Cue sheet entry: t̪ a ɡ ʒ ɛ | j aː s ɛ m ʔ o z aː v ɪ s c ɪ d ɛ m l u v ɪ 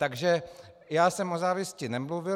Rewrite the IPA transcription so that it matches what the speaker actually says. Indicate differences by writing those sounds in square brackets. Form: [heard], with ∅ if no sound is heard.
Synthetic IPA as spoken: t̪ a ɡ ʒ ɛ | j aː s ɛ m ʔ o z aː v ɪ s c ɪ [n] ɛ m l u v ɪ